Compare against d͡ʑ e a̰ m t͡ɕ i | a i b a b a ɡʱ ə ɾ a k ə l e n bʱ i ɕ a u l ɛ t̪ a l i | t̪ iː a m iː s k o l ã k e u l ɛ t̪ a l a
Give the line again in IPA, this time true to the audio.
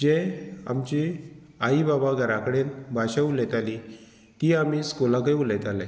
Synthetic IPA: d͡ʑ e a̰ m t͡ɕ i | a i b a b a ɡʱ ə ɾ a k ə ɽ e n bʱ a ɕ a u l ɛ t̪ a l i | t̪ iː a m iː s k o l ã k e u l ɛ t̪ a l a